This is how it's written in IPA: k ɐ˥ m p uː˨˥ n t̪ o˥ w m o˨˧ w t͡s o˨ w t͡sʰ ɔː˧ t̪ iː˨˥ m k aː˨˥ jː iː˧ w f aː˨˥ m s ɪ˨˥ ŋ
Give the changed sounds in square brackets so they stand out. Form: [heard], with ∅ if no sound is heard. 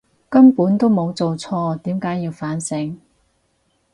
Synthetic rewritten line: k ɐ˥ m p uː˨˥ n t̪ o˥ w m o˨˧ w t͡s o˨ w t͡sʰ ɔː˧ t̪ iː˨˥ m k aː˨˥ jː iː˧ w f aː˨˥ [n] s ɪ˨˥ ŋ